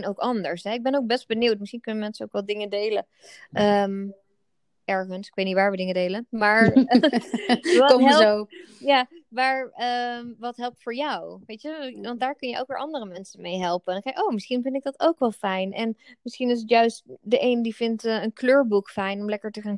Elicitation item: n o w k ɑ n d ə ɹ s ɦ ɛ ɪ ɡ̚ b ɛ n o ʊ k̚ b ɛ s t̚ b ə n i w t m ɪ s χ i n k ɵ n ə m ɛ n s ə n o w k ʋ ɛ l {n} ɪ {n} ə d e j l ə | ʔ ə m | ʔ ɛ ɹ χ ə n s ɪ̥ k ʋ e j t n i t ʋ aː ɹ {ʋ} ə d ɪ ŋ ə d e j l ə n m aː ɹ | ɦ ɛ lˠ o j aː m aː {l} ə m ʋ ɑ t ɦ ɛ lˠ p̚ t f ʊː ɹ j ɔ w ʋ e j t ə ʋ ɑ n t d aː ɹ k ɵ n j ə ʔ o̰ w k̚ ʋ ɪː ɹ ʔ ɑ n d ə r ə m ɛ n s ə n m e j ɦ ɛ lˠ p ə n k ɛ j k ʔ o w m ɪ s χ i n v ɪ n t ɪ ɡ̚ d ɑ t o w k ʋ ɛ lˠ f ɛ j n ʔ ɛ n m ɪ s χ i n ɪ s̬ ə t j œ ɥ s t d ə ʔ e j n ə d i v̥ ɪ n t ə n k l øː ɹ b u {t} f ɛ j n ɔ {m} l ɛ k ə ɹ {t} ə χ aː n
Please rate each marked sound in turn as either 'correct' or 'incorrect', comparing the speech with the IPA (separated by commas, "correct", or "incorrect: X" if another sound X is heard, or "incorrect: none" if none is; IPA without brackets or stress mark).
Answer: incorrect: d, incorrect: ŋ, correct, incorrect: ɹ, incorrect: k, correct, correct